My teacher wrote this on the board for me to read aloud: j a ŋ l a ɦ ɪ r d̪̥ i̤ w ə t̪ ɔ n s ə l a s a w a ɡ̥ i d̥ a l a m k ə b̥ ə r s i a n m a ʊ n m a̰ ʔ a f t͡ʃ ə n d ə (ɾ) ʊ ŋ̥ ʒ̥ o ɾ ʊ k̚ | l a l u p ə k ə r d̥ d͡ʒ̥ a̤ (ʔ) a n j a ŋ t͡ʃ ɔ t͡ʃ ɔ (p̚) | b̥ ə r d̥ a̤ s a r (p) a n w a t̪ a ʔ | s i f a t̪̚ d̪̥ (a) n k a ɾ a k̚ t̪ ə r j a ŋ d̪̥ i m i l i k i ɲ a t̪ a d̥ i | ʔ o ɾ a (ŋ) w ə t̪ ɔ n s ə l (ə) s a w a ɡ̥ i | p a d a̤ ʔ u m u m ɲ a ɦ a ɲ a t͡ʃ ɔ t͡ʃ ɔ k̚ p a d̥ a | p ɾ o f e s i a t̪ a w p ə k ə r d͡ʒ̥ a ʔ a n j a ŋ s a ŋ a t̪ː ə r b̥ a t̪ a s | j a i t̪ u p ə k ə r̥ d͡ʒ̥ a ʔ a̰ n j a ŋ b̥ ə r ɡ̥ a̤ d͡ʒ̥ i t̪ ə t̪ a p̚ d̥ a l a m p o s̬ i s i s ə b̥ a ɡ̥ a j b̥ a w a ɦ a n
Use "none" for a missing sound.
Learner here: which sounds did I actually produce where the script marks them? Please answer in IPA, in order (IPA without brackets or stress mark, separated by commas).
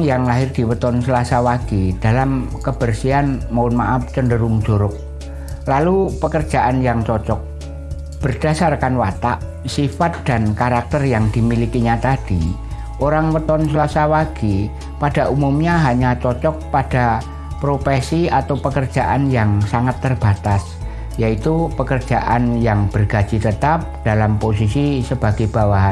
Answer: ɾ, ʔ, k̚, k, a, ŋ, a